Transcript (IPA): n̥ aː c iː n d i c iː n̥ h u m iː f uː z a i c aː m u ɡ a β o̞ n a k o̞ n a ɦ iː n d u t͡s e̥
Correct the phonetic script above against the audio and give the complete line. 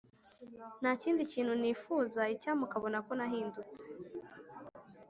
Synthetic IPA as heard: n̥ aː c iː n d i c iː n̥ h u n iː f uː z a i c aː m u k a β o̞ n a k o̞ n a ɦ iː n d u t͡s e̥